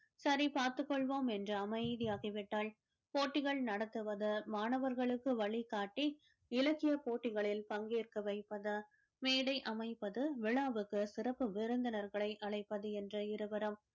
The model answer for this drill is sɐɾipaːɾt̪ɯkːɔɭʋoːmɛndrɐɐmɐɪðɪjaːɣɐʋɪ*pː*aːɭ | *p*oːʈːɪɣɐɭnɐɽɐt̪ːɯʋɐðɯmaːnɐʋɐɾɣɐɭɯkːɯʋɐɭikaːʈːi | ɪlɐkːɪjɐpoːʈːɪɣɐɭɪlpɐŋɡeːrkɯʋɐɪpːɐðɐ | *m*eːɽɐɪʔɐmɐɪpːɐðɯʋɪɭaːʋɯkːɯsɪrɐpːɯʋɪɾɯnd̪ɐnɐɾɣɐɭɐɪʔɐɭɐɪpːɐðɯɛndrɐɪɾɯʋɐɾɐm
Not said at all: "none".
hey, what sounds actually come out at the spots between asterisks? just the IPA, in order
ʈː, p, m

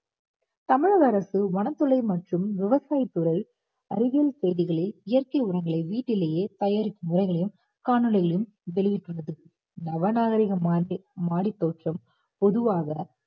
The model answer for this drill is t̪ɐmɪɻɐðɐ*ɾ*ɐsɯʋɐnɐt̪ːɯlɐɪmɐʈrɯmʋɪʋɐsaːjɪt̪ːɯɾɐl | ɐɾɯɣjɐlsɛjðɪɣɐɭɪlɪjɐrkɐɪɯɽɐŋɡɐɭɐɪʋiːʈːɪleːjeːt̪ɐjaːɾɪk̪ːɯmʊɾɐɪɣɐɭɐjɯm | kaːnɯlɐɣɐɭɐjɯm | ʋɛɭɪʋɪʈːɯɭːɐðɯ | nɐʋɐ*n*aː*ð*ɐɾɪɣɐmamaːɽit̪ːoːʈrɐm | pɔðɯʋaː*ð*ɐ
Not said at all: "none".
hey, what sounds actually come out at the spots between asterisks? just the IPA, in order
ɾ, n, ɣ, ɣ

